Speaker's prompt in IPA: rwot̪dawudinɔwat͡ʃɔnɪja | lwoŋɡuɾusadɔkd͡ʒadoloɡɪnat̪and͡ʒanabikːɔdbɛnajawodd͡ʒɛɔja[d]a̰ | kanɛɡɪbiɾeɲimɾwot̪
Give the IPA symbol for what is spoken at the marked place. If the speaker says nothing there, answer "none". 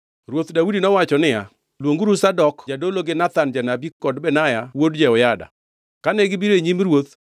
d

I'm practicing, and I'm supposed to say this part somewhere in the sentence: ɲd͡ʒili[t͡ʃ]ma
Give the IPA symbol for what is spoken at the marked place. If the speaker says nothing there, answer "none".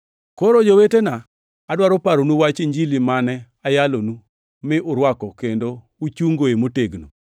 none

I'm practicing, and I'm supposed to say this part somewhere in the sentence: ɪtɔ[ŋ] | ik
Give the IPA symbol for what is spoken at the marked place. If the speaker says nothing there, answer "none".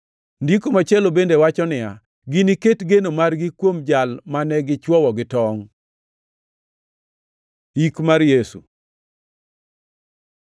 ŋ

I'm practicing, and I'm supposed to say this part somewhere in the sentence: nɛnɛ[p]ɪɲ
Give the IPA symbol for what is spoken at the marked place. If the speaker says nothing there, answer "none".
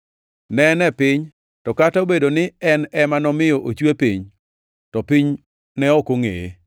p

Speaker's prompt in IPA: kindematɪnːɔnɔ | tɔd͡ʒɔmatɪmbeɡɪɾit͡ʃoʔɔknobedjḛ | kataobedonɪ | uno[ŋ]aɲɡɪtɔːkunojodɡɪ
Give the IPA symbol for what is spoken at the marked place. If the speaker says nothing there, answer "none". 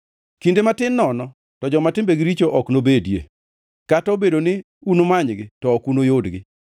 m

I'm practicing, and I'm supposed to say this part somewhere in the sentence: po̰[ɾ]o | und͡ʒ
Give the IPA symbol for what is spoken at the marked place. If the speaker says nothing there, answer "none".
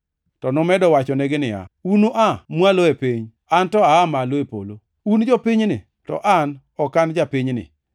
l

